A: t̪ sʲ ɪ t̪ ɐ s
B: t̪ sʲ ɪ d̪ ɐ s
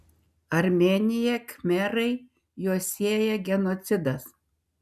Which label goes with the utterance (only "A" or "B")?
B